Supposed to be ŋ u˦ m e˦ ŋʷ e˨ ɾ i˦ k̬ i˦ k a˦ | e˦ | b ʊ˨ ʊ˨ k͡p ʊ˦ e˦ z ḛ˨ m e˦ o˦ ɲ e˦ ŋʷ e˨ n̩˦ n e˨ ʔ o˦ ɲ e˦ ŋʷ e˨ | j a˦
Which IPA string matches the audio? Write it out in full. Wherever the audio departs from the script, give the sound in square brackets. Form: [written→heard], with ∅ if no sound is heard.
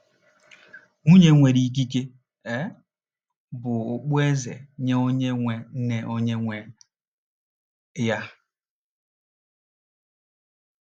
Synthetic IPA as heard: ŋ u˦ [m→ɲ] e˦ ŋʷ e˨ ɾ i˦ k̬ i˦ k [a˦→e˦] | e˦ | b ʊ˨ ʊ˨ k͡p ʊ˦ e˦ z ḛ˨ [m→ɲ] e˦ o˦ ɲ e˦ ŋʷ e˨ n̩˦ n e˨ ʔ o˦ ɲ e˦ ŋʷ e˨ | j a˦